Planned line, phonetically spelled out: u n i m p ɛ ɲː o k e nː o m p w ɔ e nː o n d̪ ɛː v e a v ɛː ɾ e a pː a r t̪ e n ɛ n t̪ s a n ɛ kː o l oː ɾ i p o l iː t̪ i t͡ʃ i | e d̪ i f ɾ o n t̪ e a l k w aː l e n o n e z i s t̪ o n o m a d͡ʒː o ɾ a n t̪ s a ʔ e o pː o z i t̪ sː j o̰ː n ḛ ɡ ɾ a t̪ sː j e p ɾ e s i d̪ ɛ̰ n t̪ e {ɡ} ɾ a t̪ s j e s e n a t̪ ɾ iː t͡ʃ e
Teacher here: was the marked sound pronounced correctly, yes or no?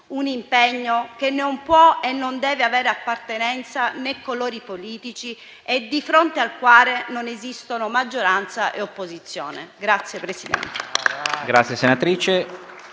yes